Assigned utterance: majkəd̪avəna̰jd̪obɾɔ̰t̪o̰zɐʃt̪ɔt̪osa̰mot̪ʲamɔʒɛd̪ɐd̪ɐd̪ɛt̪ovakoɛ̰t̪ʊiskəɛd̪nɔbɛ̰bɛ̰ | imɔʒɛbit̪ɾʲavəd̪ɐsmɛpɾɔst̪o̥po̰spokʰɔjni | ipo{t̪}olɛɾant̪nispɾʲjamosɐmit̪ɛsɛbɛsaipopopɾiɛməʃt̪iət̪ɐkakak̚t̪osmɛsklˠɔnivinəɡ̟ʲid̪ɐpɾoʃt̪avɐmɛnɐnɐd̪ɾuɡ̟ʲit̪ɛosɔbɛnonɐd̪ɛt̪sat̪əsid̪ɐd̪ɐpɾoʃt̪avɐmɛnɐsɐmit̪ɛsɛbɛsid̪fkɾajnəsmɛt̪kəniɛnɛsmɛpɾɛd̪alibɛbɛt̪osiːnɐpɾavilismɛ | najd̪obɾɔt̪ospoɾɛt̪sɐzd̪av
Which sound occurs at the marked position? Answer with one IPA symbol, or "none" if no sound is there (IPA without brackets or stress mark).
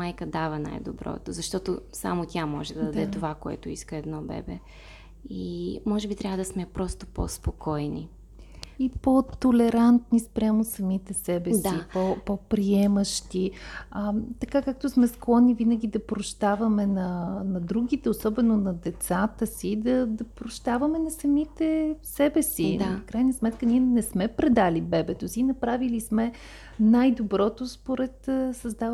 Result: t̪